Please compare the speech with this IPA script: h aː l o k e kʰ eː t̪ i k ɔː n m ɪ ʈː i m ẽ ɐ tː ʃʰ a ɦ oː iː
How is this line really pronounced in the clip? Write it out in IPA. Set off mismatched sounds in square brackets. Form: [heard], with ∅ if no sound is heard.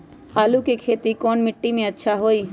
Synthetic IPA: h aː l [u] k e kʰ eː t̪ i k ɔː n m ɪ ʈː i m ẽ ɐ tː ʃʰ a ɦ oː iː